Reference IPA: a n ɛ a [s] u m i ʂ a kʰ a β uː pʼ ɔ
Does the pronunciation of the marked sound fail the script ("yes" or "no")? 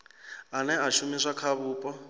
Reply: yes